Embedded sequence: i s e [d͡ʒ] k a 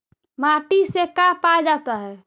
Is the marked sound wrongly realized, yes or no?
yes